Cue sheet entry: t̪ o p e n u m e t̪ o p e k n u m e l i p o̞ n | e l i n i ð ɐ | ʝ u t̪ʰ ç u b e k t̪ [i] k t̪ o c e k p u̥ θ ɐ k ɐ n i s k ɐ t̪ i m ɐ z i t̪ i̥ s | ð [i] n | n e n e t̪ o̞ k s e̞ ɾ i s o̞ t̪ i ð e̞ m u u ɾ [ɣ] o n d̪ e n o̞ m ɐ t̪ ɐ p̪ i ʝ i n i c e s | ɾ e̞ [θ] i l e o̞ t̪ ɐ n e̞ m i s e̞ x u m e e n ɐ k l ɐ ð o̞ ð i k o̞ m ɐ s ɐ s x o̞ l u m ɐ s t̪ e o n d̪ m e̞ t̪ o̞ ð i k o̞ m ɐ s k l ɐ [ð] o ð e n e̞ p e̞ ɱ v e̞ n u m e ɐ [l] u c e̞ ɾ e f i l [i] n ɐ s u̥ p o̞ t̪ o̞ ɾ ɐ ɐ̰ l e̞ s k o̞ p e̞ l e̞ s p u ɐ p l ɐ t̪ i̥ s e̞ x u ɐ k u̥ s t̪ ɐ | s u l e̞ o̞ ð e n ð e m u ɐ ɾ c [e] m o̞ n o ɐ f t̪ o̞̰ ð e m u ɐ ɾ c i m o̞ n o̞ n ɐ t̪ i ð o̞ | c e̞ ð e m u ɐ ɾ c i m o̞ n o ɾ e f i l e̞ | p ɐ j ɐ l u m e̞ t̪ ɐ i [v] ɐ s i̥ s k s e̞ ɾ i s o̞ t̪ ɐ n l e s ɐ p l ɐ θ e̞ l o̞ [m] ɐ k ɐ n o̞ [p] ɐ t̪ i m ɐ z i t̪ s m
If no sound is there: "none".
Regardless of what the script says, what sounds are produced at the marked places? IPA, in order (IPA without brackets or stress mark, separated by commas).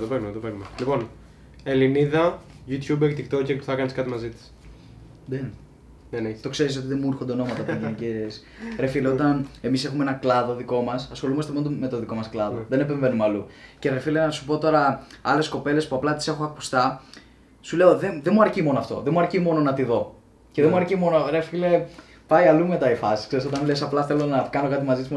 i, e, x, f, ð, l, e, i, f, n, k